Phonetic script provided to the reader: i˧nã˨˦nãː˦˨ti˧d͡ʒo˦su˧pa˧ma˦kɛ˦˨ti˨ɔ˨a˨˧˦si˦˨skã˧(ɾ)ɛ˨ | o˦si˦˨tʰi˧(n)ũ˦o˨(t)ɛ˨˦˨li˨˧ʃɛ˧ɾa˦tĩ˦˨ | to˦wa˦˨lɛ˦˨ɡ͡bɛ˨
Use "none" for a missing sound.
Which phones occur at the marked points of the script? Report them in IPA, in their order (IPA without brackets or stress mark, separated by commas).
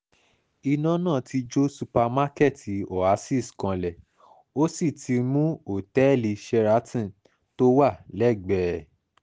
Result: l, m, t